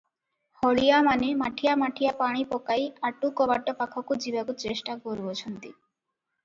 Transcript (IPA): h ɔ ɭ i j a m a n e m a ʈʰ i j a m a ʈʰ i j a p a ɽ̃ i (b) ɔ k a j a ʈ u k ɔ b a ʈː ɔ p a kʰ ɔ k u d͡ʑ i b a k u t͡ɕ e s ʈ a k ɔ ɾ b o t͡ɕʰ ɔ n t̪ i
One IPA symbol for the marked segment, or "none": p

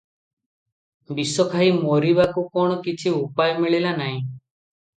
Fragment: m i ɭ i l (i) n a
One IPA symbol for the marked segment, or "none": a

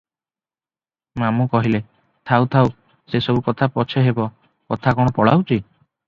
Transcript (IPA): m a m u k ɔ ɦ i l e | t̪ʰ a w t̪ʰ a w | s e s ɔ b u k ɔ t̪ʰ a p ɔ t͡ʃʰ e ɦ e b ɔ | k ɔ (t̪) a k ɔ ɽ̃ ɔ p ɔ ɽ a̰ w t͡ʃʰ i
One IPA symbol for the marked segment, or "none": t̪ʰ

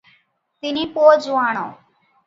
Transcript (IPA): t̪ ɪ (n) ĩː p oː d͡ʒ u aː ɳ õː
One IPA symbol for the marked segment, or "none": n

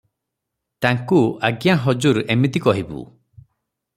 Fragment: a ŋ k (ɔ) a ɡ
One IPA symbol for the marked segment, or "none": u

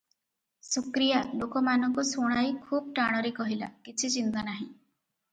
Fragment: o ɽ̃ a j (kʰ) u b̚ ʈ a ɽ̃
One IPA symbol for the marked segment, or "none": kʰ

